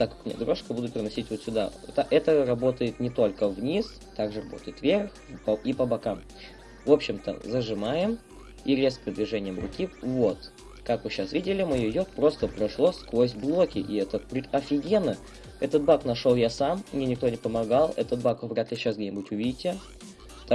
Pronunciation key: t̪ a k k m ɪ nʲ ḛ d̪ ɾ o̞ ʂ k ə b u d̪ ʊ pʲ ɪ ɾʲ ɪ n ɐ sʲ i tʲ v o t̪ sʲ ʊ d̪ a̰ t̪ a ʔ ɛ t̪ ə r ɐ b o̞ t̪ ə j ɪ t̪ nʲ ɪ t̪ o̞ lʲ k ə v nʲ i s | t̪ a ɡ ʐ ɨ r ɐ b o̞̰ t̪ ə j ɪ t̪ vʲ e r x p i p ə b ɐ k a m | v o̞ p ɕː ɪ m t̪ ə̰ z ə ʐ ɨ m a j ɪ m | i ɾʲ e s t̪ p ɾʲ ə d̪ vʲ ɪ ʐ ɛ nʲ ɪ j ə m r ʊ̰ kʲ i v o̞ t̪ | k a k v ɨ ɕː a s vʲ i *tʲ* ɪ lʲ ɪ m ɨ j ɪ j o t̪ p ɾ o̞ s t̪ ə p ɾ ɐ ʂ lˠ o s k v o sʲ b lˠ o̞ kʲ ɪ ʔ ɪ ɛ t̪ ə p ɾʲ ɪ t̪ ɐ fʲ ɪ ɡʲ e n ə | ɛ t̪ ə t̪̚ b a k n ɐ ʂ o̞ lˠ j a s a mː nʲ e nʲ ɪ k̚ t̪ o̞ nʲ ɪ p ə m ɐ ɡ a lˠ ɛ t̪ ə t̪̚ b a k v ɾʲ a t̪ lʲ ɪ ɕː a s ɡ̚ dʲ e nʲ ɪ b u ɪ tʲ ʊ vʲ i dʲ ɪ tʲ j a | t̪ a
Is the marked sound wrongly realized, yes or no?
yes